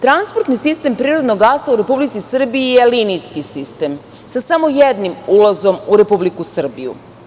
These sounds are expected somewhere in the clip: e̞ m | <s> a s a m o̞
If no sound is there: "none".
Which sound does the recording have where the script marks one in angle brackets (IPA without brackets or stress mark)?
s